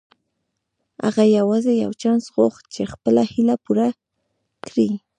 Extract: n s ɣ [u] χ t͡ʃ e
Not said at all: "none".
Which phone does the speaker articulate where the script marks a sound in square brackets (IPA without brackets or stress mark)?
o